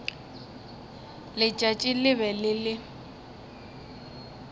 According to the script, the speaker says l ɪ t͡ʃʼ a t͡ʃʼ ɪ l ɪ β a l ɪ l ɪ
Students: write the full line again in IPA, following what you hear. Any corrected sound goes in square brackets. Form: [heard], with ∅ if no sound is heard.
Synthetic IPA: l ɪ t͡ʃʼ a t͡ʃʼ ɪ l ɪ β [ɛ] l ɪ l ɪ